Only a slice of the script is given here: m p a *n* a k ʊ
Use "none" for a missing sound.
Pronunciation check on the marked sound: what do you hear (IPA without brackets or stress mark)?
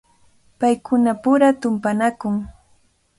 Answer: n